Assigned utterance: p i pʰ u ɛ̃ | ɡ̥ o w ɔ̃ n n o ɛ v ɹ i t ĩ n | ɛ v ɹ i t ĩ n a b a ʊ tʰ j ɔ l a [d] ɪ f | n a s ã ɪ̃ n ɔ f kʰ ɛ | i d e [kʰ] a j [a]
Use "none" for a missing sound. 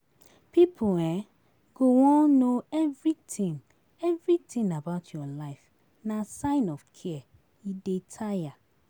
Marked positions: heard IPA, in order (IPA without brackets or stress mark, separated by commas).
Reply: none, tʰ, a